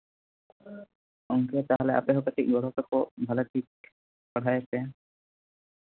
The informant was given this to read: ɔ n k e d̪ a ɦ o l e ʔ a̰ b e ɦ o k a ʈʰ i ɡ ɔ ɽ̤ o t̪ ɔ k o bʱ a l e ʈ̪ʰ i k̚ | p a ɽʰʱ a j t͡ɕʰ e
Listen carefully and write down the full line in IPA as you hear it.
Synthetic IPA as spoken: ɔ ŋ k e t̪ a ɦ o l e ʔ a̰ p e ɦ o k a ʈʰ i ɡ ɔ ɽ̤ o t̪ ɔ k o bʱ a l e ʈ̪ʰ i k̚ | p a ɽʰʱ a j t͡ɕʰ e